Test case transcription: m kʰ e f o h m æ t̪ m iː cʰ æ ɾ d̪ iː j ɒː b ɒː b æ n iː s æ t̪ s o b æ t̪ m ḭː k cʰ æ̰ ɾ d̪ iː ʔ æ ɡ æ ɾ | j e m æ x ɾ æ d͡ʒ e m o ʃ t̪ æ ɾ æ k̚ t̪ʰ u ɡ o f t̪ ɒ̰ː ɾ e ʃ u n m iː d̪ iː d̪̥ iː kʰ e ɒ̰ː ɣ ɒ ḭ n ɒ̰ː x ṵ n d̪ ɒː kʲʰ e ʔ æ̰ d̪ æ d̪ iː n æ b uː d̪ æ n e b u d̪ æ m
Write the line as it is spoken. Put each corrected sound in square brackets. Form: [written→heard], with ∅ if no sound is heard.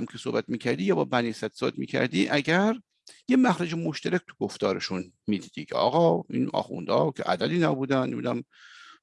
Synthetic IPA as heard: m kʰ e [f→s] o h [m→b] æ t̪ m iː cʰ æ ɾ d̪ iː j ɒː b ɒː b æ n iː s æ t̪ s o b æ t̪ m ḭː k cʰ æ̰ ɾ d̪ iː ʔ æ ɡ æ ɾ | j e m æ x ɾ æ d͡ʒ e m o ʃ t̪ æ ɾ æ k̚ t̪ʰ u ɡ o f t̪ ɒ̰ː ɾ e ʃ u n m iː d̪ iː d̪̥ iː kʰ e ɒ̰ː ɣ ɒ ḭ n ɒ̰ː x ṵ n d̪ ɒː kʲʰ e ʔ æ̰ d̪ æ d̪ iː n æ b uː d̪ æ n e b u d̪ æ m